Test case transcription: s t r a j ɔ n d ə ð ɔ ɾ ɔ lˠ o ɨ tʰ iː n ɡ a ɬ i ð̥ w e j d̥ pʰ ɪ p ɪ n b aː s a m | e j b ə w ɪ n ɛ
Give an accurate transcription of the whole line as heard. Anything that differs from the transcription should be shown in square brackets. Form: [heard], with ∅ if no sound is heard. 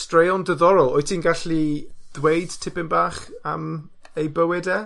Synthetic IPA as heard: s t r [e] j ɔ n d ə ð ɔ ɾ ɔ lˠ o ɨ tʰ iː n ɡ a ɬ i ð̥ w e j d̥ [tʰ] ɪ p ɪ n b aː [χ] a m | e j b ə w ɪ [d] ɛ